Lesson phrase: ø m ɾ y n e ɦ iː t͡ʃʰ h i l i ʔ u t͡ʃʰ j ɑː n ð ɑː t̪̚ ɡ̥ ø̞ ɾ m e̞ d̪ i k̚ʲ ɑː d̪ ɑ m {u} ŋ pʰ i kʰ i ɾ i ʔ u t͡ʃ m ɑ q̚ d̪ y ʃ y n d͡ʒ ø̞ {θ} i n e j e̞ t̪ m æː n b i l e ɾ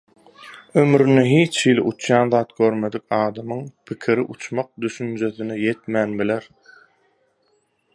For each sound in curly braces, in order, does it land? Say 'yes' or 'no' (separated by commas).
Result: no, yes